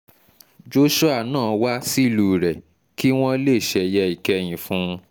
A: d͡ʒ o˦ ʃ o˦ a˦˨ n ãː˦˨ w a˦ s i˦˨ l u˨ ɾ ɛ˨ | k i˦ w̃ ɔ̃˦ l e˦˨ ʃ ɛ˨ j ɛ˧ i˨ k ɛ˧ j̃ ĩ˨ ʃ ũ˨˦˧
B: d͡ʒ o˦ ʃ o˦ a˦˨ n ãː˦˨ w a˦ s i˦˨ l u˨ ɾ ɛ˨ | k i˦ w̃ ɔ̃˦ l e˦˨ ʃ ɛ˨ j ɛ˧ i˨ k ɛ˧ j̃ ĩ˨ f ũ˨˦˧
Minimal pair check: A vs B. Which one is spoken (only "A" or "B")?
B